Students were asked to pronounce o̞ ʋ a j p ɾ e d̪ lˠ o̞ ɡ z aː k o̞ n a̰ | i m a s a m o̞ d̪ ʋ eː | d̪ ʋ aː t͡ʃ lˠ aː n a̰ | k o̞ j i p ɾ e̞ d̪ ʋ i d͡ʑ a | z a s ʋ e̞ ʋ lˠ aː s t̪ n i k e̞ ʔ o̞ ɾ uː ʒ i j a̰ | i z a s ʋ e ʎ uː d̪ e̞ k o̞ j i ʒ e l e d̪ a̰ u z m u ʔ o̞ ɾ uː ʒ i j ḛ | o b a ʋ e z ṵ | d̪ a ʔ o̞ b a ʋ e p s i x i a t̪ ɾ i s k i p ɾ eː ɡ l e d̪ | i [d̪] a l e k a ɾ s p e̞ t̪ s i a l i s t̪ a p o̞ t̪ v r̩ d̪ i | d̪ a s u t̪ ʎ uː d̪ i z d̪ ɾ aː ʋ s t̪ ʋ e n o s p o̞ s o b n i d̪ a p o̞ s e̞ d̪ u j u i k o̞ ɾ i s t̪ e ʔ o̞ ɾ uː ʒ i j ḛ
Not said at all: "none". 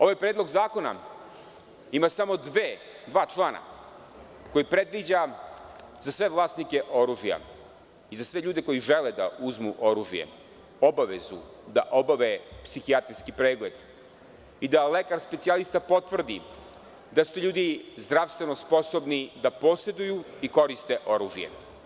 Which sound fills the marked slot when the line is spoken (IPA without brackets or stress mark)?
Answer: d̪